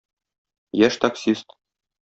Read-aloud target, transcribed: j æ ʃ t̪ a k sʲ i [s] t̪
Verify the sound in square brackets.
correct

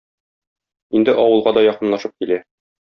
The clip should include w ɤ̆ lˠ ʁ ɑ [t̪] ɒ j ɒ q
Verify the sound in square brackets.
incorrect: d̪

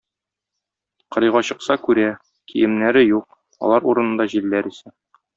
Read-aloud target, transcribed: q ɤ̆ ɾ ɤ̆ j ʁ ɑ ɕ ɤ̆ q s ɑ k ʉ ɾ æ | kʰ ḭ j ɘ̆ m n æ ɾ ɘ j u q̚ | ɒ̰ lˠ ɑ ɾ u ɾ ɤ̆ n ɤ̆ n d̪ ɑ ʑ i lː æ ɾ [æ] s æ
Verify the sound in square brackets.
incorrect: i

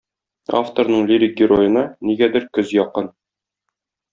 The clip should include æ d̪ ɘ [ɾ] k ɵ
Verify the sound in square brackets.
correct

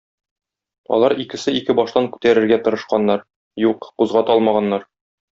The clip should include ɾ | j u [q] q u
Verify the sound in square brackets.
correct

